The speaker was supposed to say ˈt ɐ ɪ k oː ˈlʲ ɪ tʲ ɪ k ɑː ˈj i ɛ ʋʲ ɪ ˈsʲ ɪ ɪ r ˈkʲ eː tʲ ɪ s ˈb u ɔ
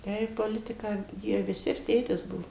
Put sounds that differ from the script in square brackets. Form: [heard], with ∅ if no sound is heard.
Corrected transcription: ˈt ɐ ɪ [p] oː ˈlʲ ɪ tʲ ɪ k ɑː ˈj i ɛ ʋʲ ɪ ˈsʲ ɪ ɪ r [ˈtʲ] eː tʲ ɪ s ˈb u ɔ